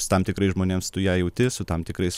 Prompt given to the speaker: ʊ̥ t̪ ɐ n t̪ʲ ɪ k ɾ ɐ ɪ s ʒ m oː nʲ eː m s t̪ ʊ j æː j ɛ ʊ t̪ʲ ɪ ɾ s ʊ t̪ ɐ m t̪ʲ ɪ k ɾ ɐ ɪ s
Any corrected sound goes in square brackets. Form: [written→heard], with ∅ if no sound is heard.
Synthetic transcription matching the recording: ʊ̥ t̪ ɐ [n→m] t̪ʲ ɪ k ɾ ɐ ɪ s ʒ m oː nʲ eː m s t̪ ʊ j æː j ɛ ʊ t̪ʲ ɪ [ɾ→∅] s ʊ t̪ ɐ m t̪ʲ ɪ k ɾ ɐ ɪ s